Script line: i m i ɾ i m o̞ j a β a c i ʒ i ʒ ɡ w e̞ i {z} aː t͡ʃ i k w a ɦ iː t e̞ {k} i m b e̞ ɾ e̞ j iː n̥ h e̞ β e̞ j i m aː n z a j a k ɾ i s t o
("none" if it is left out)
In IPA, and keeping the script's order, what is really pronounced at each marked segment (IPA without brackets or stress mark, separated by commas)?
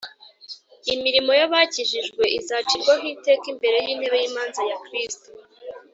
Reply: z, k